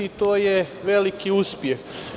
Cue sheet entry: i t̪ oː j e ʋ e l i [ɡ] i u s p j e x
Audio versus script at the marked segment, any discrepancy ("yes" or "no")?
yes